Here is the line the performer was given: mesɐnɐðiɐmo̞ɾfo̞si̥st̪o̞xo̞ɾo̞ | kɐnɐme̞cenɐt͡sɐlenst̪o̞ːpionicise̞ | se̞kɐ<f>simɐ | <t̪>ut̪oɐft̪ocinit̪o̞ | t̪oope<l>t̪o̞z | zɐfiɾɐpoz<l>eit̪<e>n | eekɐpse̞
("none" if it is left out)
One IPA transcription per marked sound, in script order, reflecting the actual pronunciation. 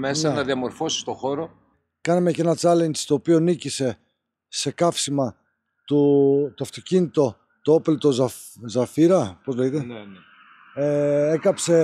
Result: f, t̪, l, l, e

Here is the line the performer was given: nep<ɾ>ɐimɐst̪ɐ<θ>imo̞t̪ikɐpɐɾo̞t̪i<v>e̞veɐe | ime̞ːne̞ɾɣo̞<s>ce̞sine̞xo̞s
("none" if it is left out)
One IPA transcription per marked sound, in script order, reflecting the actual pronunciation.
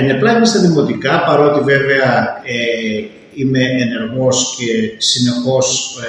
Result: l, ð, v, s

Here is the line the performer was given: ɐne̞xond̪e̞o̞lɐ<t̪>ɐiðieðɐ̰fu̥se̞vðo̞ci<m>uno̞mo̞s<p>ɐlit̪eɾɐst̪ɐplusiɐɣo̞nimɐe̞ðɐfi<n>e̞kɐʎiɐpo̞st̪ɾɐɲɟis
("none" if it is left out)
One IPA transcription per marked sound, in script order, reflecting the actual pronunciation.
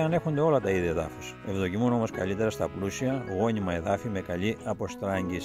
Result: t̪, m, k, m

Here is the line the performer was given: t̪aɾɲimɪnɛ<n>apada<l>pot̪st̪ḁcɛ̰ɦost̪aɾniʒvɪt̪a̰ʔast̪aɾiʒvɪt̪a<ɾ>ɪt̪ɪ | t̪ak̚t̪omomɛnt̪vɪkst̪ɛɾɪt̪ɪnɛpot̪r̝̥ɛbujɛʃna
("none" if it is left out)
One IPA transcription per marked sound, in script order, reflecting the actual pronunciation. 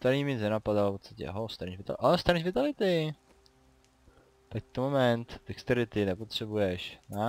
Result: n, l, l

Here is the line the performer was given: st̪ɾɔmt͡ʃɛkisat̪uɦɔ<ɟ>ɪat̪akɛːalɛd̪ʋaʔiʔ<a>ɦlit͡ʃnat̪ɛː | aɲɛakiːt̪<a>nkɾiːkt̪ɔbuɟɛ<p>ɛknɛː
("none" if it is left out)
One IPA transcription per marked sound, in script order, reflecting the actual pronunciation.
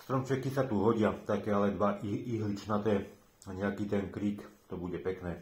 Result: ɟ, i, ɛ, p

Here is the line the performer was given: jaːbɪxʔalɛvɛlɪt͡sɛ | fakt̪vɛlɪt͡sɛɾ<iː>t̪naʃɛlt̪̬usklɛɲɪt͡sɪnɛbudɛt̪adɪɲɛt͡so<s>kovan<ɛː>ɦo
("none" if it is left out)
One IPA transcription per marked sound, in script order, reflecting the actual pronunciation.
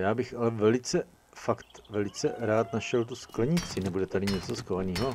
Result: aː, s, iː

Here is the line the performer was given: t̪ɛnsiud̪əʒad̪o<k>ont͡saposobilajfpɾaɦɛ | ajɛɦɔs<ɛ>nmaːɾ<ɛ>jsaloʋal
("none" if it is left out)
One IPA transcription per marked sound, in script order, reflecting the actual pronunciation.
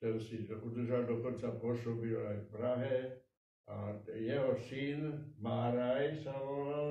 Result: k, i, a

